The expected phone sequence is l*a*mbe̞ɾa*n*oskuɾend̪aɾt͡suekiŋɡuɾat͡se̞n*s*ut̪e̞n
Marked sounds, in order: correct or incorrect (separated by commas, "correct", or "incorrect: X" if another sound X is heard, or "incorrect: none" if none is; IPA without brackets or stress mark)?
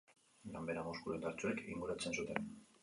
correct, incorrect: m, correct